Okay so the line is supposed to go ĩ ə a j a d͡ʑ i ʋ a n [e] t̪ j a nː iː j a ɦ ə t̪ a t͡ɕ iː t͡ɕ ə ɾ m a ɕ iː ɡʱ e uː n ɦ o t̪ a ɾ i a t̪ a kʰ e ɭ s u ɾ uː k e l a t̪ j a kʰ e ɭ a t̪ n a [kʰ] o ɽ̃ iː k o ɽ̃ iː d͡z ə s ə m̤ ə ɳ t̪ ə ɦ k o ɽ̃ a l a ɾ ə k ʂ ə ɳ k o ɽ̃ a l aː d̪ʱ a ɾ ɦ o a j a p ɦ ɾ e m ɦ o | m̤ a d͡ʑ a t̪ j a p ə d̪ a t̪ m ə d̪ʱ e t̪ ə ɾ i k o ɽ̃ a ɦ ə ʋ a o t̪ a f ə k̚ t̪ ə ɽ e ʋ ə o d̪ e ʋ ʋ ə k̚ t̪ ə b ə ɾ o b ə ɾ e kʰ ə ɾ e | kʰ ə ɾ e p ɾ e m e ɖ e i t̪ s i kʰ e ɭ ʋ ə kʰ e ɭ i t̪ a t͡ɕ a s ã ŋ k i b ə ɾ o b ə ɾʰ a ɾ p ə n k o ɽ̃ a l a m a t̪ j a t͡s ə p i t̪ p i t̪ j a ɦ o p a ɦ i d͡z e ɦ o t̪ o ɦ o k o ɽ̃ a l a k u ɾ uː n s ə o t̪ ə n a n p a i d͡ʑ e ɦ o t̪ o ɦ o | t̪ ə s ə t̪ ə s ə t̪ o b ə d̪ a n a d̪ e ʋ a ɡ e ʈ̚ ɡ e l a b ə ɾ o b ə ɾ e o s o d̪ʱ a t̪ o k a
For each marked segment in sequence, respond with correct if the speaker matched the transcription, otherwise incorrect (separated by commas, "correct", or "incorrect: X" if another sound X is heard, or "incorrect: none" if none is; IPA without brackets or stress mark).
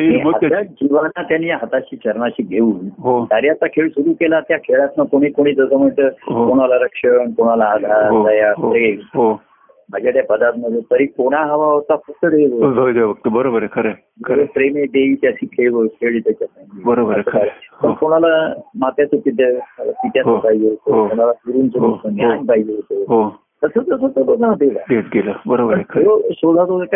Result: incorrect: a, incorrect: k